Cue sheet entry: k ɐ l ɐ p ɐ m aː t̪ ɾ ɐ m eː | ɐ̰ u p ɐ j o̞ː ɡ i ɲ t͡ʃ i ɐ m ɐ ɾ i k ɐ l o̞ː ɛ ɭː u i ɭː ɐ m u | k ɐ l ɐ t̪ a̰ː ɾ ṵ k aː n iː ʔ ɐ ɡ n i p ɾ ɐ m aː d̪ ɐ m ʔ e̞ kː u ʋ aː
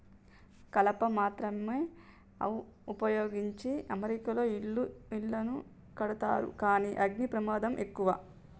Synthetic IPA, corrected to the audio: k ɐ l ɐ p ɐ m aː t̪ ɾ ɐ m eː | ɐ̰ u p ɐ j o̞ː ɡ i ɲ t͡ʃ i ɐ m ɐ ɾ i k ɐ l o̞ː i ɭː u i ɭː ɐ n u | k ɐ ɽ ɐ t̪ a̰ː ɾ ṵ k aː n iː ʔ ɐ ɡ n i p ɾ ɐ m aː d̪ ɐ m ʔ e̞ kː u ʋ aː